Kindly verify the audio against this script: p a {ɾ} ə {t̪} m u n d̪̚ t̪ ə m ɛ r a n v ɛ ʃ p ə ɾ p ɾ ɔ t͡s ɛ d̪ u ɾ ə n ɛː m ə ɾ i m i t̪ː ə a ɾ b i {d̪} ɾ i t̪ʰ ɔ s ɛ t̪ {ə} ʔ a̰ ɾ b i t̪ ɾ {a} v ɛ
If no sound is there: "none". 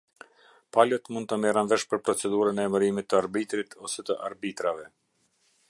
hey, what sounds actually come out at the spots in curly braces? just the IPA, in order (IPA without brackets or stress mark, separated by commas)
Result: l, t̪, t̪, ə, a